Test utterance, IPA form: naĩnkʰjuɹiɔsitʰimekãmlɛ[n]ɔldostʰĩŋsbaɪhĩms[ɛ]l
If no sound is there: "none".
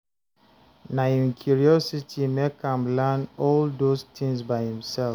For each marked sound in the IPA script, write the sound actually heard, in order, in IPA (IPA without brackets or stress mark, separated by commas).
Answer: n, ɛ